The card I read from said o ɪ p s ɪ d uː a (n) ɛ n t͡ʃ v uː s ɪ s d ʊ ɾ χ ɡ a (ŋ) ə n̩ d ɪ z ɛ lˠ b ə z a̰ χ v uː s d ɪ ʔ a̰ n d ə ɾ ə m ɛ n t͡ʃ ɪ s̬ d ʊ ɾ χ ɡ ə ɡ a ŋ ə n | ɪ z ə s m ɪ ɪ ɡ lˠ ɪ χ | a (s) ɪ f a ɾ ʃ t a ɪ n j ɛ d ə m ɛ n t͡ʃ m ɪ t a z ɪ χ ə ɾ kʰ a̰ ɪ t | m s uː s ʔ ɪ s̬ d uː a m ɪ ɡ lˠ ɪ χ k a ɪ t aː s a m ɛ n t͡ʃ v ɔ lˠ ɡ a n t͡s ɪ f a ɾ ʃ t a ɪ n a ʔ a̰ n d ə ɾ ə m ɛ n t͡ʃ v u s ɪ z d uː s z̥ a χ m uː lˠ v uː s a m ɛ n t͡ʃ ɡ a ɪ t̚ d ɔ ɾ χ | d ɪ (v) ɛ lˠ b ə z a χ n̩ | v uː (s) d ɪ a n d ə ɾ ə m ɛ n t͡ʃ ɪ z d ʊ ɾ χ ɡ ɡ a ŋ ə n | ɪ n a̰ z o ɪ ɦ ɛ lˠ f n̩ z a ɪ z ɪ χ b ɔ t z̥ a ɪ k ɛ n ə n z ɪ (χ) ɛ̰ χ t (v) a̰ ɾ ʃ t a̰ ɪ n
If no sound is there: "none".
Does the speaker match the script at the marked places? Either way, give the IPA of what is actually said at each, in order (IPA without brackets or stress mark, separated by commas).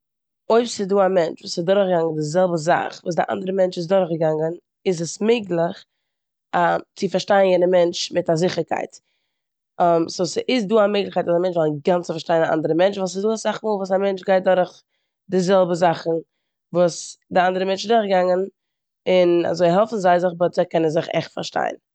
m, ŋ, t͡s, z, s, χ, f